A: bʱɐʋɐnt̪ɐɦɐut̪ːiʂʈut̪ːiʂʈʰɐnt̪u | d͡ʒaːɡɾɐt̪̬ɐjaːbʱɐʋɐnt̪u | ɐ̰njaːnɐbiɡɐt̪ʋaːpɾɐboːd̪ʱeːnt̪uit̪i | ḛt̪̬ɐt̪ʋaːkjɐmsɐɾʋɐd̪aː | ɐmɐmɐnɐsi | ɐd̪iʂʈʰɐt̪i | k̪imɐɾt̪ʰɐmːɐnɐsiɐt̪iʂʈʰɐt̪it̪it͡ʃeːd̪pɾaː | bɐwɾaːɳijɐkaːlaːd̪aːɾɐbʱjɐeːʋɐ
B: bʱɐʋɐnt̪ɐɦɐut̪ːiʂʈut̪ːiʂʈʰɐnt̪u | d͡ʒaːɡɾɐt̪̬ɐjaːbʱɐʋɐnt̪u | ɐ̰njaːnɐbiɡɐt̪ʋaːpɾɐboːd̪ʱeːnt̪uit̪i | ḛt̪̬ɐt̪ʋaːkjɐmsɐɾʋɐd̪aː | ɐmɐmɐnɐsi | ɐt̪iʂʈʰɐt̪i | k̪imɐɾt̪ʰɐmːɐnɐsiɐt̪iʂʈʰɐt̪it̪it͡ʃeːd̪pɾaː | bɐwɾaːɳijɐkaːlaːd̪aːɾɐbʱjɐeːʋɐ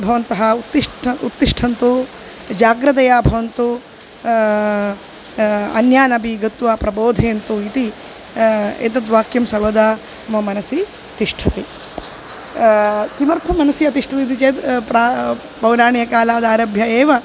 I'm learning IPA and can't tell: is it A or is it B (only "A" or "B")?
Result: B